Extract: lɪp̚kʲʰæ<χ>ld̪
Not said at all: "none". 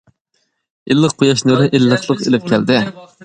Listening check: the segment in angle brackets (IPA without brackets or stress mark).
none